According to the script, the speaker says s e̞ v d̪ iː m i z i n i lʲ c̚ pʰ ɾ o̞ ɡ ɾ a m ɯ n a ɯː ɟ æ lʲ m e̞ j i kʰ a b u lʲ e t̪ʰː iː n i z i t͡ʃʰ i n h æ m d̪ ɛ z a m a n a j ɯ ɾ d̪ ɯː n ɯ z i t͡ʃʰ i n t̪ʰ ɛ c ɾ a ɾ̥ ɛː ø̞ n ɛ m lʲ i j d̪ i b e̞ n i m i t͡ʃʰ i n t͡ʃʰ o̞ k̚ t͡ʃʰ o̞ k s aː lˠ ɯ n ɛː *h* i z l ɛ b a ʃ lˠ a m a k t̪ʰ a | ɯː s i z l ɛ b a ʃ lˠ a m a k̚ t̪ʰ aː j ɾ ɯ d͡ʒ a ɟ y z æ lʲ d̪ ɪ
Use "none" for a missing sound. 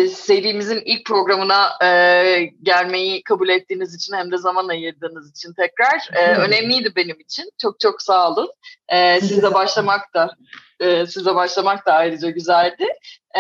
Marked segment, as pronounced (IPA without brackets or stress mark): s